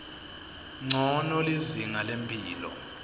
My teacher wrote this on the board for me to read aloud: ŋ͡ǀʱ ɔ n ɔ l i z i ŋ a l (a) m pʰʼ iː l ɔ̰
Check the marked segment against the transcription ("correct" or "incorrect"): incorrect